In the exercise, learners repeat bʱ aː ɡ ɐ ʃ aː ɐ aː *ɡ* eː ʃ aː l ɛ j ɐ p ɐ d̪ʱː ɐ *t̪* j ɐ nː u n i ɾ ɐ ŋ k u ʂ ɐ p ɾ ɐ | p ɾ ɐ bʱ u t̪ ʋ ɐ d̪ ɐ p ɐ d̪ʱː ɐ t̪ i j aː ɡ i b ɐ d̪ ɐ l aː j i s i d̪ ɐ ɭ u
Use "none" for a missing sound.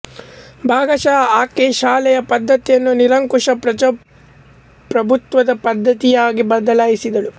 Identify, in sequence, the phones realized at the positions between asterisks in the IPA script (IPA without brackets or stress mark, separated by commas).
k, t̪